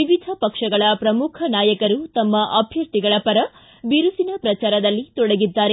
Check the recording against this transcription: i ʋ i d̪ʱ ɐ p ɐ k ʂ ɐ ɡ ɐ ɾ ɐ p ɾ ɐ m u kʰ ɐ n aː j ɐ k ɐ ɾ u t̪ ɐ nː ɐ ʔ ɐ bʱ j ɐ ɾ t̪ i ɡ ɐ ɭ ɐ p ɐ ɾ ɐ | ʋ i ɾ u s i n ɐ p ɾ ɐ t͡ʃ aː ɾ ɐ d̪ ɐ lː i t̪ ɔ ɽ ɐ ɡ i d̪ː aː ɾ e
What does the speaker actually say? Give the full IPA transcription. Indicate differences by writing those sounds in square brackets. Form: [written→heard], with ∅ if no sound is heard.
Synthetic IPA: i ʋ i d̪ʱ ɐ p ɐ k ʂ ɐ ɡ ɐ [ɾ→ɭ] ɐ p ɾ ɐ m u kʰ ɐ n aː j ɐ k ɐ ɾ u t̪ ɐ [nː→mː] ɐ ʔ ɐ bʱ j ɐ ɾ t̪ i ɡ ɐ ɭ ɐ p ɐ ɾ ɐ | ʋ i ɾ u s i n ɐ p ɾ ɐ t͡ʃ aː ɾ ɐ d̪ ɐ lː i t̪ ɔ ɽ ɐ ɡ i d̪ː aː ɾ e

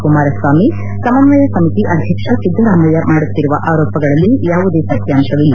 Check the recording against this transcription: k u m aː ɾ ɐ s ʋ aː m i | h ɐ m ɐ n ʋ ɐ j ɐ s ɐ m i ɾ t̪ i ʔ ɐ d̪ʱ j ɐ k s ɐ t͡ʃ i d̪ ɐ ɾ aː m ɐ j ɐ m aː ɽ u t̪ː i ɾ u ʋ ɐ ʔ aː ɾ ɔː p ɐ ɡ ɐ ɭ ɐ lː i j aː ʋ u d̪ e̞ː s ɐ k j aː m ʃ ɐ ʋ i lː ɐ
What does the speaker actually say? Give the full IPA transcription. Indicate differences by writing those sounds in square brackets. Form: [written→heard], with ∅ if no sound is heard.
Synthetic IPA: k u m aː ɾ ɐ s ʋ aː m i | [h→s] ɐ m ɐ n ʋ ɐ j ɐ s ɐ m i [ɾ→∅] t̪ i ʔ ɐ d̪ʱ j ɐ k [s→ʂ] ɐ t͡ʃ i d̪ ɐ ɾ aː m ɐ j ɐ m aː ɽ u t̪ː i ɾ u ʋ ɐ ʔ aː ɾ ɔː p ɐ ɡ ɐ ɭ ɐ lː i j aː ʋ u d̪ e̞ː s ɐ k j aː m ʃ ɐ ʋ i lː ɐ

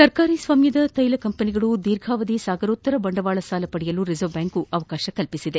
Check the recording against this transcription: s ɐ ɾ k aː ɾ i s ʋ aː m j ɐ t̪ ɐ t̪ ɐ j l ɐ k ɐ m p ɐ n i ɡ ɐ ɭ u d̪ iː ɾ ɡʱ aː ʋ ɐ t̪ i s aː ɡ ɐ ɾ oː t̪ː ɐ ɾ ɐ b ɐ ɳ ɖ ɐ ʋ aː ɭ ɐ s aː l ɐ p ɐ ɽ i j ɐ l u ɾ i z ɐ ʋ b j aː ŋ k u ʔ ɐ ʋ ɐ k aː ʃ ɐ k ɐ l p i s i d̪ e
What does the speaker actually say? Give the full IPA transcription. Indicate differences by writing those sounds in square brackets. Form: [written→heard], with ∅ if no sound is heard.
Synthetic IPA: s ɐ ɾ k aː ɾ i s ʋ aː m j ɐ [t̪→d̪] ɐ t̪ ɐ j l ɐ k ɐ m p ɐ n i ɡ ɐ ɭ u d̪ iː ɾ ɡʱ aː ʋ ɐ [t̪→d̪] i s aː ɡ ɐ ɾ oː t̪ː ɐ ɾ ɐ b ɐ ɳ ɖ ɐ ʋ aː ɭ ɐ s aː l ɐ p ɐ ɽ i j ɐ l u ɾ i z ɐ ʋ b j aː ŋ k u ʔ ɐ ʋ ɐ k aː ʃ ɐ k ɐ l p i s i d̪ e

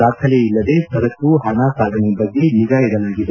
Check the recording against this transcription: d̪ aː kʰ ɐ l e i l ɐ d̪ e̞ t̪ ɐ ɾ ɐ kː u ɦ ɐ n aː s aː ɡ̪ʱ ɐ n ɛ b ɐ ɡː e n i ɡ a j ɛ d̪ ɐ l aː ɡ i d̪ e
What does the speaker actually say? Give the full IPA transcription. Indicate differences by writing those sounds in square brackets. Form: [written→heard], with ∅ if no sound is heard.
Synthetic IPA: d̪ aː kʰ ɐ l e i [l→lː] ɐ d̪ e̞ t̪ ɐ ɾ ɐ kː u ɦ ɐ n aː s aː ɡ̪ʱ ɐ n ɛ b ɐ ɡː e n i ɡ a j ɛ d̪ ɐ l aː ɡ i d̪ e

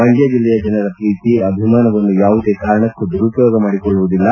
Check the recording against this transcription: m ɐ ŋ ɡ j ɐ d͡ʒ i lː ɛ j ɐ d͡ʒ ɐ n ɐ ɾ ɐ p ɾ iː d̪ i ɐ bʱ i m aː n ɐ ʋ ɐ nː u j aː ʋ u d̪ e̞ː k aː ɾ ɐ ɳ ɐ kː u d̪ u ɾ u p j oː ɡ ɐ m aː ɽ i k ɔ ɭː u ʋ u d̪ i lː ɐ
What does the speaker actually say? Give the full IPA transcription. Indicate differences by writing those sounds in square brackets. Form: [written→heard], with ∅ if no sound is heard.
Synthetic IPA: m ɐ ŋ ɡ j ɐ d͡ʒ i lː ɛ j ɐ d͡ʒ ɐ n ɐ ɾ ɐ p ɾ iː [d̪→t̪] i ɐ bʱ i m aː n ɐ ʋ ɐ nː u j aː ʋ u d̪ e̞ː k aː ɾ ɐ ɳ ɐ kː u d̪ u ɾ u p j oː ɡ ɐ m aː ɽ i k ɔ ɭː u ʋ u d̪ i lː ɐ

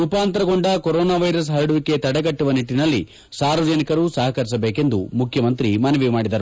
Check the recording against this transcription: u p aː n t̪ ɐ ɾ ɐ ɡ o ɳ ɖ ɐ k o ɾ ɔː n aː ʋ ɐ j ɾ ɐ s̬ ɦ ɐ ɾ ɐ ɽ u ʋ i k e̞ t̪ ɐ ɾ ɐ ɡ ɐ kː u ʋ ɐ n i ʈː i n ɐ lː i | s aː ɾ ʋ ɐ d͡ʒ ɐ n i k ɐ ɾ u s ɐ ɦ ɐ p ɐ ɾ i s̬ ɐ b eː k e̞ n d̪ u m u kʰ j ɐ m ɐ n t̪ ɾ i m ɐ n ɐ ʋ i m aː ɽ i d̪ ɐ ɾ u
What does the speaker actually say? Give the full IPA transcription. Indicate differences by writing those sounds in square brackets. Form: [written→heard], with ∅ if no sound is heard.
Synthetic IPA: u p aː n t̪ ɐ ɾ ɐ ɡ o ɳ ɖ ɐ k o ɾ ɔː n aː ʋ ɐ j ɾ ɐ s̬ ɦ ɐ ɾ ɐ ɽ u ʋ i k e̞ t̪ ɐ [ɾ→ɽ] ɐ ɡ ɐ [kː→ʈː] u ʋ ɐ n i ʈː i n ɐ lː i | s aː ɾ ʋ ɐ d͡ʒ ɐ n i k ɐ ɾ u s ɐ ɦ ɐ [p→k] ɐ ɾ i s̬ ɐ b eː k e̞ n d̪ u m u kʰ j ɐ m ɐ n t̪ ɾ i m ɐ n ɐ ʋ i m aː ɽ i d̪ ɐ ɾ u

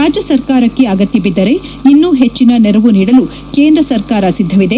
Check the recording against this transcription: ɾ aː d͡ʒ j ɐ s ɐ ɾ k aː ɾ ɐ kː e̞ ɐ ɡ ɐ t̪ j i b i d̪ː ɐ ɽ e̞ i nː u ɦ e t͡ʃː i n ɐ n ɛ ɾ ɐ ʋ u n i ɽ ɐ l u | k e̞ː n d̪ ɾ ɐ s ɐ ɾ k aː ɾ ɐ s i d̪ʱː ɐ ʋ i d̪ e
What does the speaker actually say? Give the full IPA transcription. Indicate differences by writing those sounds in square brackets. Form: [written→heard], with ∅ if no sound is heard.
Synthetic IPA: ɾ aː d͡ʒ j ɐ s ɐ ɾ k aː ɾ ɐ kː e̞ ɐ ɡ ɐ t̪ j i b i d̪ː ɐ [ɽ→ɾ] e̞ i nː u ɦ e t͡ʃː i n ɐ n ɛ ɾ ɐ ʋ u n [i→iː] ɽ ɐ l u | k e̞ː n d̪ ɾ ɐ s ɐ ɾ k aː ɾ ɐ s i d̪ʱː ɐ ʋ i d̪ e

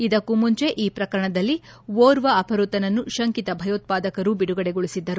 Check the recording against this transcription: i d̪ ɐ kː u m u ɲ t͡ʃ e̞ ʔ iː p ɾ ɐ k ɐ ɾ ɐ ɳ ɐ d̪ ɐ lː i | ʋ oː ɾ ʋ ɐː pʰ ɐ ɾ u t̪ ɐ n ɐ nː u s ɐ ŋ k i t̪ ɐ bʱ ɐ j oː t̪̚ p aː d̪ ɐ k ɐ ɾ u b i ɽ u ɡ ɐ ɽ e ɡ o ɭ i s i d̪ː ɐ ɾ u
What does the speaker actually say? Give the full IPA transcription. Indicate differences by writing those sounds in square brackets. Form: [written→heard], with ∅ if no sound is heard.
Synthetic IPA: i d̪ ɐ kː u m u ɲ t͡ʃ e̞ ʔ iː p ɾ ɐ k ɐ ɾ ɐ ɳ ɐ d̪ ɐ lː i | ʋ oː ɾ ʋ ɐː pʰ ɐ ɾ u t̪ ɐ n ɐ nː u [s→ʃ] ɐ ŋ k i t̪ ɐ bʱ ɐ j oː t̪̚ p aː d̪ ɐ k ɐ ɾ u b i ɽ u ɡ ɐ ɽ e ɡ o ɭ i s i d̪ː ɐ ɾ u

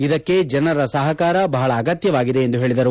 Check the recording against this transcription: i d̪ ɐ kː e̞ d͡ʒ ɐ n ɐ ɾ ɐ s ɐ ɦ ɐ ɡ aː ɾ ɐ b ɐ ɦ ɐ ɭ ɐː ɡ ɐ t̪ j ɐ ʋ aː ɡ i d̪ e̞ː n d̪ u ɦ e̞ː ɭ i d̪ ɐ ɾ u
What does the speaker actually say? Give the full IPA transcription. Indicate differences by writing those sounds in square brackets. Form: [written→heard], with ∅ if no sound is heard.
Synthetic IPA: i d̪ ɐ kː e̞ d͡ʒ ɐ n ɐ ɾ ɐ s ɐ ɦ ɐ [ɡ→k] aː ɾ ɐ b ɐ ɦ ɐ ɭ ɐː ɡ ɐ t̪ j ɐ ʋ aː ɡ i d̪ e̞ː n d̪ u ɦ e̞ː ɭ i d̪ ɐ ɾ u

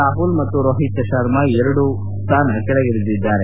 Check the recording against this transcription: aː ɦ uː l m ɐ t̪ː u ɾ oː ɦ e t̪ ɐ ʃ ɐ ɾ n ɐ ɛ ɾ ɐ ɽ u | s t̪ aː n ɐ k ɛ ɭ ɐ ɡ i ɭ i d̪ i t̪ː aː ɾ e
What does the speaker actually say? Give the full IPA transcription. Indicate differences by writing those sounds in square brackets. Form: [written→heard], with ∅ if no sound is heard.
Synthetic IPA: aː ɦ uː l m ɐ t̪ː u ɾ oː ɦ [e→i] t̪ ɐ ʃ ɐ ɾ [n→m] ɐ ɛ ɾ ɐ ɽ u | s t̪ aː n ɐ k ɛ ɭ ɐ ɡ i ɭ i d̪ i [t̪ː→d̪ː] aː ɾ e

